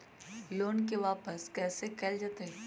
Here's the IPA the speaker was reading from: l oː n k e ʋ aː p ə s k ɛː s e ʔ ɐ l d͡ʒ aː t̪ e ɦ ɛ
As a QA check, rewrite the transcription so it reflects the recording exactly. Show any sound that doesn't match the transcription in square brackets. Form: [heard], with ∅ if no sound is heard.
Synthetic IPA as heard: l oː n k e ʋ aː p ə s k ɛː s e [k] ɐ l d͡ʒ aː t̪ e ɦ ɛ